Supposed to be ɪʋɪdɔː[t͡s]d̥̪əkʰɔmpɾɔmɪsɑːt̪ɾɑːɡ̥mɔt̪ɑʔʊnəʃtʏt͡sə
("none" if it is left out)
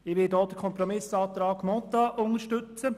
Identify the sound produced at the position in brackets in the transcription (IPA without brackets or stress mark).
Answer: none